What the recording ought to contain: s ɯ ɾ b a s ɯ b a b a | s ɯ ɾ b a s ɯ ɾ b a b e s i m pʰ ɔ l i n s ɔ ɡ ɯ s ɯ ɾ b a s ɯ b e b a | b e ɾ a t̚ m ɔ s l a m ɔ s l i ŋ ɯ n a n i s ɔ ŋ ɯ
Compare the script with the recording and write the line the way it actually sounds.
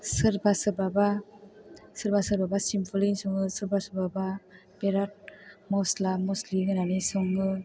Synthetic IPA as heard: s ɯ ɾ b a s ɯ b a b a | s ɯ ɾ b a s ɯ ɾ b a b a s i m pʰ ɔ l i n s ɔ ŋ ɯ s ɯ ɾ b a s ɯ b a b a | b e ɾ a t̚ m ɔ s l a m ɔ s l i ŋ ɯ n a n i s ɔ ŋ ɯ